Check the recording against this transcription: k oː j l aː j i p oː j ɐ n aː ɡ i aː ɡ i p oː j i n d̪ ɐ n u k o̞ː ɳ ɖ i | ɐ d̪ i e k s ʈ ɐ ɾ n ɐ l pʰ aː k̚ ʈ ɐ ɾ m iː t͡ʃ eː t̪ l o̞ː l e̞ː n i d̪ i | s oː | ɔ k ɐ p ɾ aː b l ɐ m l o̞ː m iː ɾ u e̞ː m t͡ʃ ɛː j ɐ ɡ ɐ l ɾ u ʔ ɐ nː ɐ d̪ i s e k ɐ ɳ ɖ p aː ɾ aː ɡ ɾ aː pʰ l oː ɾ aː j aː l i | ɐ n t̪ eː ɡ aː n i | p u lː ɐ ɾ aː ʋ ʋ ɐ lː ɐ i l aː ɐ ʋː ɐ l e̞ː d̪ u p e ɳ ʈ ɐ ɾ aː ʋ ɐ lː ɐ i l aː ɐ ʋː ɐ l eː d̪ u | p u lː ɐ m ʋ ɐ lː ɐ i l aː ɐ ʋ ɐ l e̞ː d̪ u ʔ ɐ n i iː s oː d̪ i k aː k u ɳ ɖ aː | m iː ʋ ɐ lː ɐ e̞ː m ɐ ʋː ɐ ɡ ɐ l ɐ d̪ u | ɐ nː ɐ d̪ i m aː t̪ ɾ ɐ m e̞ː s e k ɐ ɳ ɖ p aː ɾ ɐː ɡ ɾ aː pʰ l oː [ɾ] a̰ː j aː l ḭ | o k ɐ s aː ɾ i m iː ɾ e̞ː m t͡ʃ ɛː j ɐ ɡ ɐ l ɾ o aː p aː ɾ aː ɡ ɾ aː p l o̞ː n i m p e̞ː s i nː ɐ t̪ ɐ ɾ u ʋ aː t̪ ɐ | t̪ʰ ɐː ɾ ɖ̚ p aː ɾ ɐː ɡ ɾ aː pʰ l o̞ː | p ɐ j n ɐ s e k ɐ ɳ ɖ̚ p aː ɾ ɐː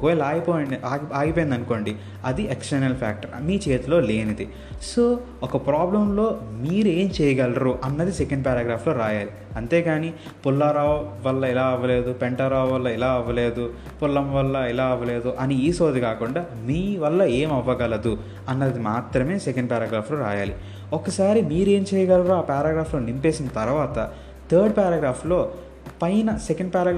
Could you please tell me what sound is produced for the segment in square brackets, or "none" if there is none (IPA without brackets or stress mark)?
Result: ɾ